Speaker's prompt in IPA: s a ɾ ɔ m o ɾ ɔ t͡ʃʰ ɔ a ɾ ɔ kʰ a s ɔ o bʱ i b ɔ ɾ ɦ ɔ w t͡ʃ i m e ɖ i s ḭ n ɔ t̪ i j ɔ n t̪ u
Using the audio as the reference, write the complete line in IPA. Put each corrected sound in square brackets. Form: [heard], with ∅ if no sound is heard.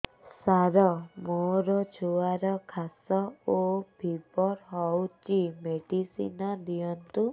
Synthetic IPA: s a ɾ ɔ m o ɾ ɔ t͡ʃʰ [u] a ɾ ɔ kʰ a s ɔ o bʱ i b ɔ ɾ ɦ ɔ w t͡ʃ i m e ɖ i s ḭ n ɔ [d̪] i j ɔ n t̪ u